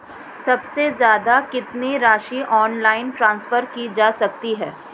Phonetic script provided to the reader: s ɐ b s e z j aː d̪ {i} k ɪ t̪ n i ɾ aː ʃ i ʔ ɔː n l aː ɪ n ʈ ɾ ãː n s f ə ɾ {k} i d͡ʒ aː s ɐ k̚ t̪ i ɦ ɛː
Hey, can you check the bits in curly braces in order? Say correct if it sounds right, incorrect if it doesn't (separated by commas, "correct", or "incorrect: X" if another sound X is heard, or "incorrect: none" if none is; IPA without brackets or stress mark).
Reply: incorrect: a, correct